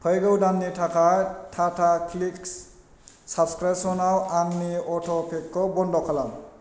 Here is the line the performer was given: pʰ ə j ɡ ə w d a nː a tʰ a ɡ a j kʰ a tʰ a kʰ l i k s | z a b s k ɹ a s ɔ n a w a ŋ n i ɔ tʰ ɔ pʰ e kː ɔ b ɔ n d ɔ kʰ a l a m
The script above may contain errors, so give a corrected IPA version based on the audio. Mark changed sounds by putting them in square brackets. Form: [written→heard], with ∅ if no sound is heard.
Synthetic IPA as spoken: pʰ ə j ɡ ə w d a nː [a→i] tʰ a [ɡ→k] a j [kʰ→tʰ] a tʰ a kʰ l i k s | [z→s] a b s k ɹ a s ɔ n a w a ŋ n i ɔ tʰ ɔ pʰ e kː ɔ b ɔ n d ɔ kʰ a l a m